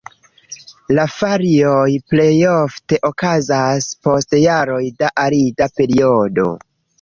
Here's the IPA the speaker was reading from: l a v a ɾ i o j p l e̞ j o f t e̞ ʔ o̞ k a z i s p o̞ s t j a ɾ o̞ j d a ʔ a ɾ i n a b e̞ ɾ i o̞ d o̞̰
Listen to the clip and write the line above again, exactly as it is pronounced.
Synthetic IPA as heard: l a f a ɾ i o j p l e̞ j o f t e̞ ʔ o̞ k a z a s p o̞ s t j a ɾ o̞ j d a ʔ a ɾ i d a p e̞ ɾ i o̞ d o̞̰